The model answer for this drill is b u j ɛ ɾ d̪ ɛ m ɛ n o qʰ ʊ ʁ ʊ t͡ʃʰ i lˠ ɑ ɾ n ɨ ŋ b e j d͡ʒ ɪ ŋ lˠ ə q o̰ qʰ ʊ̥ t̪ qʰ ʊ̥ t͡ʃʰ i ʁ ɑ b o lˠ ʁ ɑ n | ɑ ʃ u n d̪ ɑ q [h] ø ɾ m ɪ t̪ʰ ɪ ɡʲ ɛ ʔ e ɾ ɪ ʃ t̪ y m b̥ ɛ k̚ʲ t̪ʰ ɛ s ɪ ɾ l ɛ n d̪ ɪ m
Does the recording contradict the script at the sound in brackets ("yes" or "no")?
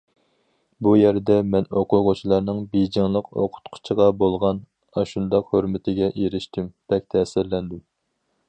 no